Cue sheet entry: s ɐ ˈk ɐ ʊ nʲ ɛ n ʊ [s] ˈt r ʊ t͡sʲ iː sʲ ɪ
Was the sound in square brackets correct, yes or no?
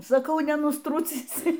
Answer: yes